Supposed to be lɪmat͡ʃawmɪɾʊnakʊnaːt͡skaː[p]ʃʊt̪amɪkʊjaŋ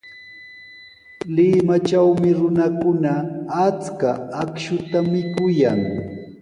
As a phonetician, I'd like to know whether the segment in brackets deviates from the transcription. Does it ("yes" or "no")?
yes